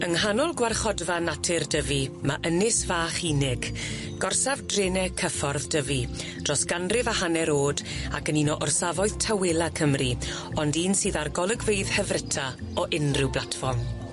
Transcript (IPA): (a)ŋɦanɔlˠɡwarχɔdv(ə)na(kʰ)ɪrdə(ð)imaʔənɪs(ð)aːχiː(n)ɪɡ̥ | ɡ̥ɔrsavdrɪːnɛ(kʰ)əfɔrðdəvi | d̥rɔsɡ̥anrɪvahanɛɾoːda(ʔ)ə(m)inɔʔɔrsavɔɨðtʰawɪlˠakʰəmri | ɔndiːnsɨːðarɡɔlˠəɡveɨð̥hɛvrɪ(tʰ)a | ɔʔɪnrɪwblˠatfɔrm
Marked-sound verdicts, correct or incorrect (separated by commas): incorrect, incorrect, incorrect, incorrect, incorrect, correct, correct, incorrect, incorrect, correct